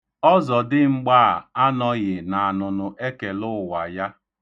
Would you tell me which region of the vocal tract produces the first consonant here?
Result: tongue tip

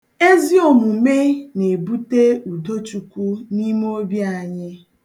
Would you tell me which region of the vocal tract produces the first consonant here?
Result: tongue tip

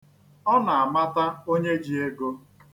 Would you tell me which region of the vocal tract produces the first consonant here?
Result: tongue tip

